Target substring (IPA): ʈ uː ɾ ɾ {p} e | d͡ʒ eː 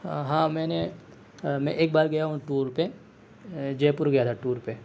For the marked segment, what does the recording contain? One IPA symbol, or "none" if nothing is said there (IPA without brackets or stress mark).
p